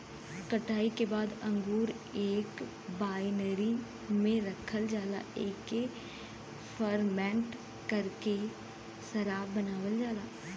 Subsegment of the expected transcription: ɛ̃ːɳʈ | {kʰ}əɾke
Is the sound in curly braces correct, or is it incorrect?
incorrect: k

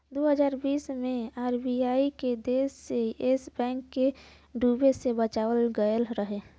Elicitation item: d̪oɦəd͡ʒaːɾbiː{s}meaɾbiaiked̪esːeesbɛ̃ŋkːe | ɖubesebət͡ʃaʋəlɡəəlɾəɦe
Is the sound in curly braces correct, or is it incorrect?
correct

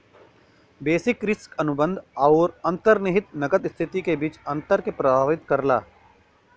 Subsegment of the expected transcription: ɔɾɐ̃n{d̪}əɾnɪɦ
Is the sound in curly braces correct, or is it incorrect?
incorrect: t̪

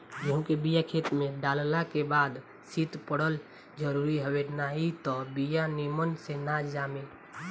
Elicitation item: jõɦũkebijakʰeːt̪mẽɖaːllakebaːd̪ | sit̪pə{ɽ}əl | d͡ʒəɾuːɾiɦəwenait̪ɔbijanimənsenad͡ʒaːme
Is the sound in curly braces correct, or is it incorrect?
correct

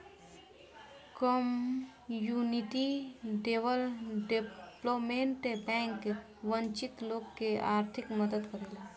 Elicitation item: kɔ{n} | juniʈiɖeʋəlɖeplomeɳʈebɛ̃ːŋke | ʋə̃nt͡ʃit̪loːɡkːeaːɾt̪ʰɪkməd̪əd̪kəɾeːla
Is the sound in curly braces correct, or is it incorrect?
incorrect: m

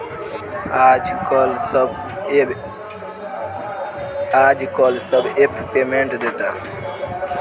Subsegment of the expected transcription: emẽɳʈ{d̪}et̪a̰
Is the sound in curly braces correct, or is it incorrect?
correct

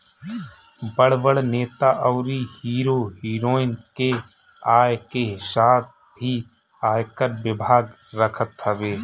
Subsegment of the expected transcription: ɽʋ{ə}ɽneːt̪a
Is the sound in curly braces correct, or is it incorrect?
correct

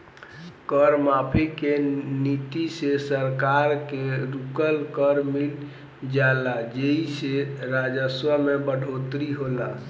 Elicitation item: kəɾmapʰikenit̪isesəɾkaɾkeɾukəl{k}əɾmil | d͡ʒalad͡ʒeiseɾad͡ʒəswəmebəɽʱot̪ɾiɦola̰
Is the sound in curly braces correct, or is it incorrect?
correct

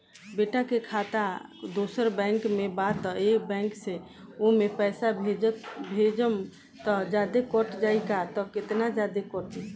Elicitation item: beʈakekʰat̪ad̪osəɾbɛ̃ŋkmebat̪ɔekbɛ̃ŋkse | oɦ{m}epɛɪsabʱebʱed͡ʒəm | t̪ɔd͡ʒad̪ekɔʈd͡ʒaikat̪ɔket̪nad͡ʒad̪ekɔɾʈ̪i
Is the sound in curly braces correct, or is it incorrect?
correct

